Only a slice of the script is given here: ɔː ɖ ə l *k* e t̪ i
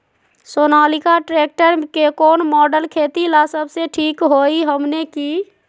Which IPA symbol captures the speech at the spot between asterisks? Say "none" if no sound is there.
kʰ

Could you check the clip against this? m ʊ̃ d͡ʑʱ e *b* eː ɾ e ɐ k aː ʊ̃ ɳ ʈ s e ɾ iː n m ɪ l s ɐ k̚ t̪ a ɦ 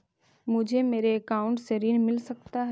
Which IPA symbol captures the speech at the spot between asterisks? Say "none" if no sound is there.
m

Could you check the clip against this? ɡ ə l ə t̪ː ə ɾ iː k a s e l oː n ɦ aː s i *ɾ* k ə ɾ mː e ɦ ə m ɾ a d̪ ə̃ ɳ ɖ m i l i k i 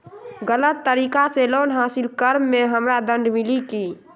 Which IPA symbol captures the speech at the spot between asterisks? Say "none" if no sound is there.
l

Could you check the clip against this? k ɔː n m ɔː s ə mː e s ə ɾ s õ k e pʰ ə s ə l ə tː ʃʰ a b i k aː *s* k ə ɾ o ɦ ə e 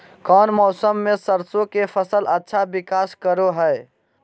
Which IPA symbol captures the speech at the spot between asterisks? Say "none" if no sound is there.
s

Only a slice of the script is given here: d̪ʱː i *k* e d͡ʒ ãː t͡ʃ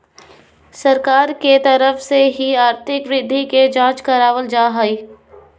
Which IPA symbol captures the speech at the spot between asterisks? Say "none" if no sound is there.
k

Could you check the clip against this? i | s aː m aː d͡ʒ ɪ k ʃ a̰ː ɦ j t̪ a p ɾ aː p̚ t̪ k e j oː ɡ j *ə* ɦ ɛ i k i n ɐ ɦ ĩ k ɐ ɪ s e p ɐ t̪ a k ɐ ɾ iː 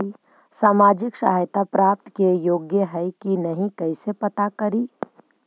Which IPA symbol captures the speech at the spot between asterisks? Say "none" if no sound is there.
ə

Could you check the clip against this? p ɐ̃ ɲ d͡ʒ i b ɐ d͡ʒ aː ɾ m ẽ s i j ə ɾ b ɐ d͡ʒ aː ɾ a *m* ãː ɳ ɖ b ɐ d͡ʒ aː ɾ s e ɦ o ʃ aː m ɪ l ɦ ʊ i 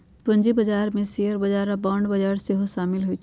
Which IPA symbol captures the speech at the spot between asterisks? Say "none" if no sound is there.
b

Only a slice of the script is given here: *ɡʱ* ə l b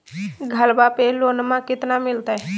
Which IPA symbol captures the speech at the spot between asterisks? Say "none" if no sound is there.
ɡʱ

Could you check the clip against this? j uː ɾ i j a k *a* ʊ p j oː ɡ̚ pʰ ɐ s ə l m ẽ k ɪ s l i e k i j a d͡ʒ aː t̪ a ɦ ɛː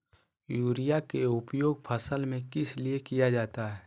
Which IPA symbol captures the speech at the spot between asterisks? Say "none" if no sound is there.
e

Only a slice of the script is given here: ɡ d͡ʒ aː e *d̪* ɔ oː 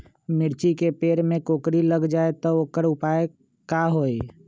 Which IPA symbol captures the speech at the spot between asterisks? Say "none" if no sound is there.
t̪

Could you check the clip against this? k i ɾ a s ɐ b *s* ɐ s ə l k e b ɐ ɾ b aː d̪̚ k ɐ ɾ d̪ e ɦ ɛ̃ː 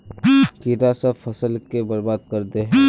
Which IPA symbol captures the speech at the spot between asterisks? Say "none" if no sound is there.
f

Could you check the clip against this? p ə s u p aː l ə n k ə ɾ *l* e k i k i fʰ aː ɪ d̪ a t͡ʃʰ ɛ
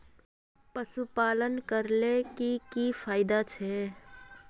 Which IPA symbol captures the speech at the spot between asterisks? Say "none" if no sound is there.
l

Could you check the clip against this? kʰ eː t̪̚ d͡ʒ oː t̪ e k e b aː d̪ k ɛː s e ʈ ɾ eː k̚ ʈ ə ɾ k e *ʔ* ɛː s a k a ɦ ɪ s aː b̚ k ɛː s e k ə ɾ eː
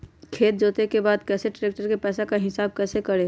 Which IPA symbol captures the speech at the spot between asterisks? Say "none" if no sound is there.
p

